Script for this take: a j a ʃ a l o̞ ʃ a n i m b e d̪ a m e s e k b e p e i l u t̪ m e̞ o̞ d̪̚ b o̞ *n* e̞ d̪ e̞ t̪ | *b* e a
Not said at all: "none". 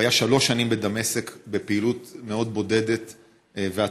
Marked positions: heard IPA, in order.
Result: d, v

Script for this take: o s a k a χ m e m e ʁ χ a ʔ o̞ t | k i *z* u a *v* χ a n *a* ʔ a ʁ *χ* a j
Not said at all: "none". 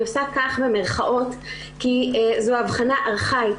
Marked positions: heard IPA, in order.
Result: z, v, a, χ

